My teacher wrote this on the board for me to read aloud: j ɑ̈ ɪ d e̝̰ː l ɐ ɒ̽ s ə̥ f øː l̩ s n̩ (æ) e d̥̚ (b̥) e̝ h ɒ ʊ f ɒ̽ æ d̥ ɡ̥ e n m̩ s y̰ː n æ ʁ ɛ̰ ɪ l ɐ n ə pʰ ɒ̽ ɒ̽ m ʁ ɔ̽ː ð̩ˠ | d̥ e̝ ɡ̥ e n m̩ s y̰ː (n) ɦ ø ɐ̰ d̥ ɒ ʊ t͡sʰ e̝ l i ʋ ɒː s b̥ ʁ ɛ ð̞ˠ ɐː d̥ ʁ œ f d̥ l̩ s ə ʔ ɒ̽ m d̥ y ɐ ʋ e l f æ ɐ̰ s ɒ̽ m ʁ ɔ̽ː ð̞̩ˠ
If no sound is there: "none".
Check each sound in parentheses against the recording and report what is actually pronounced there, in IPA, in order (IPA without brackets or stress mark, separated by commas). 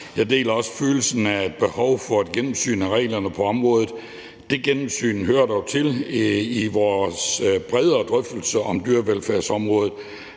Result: æ, b̥, n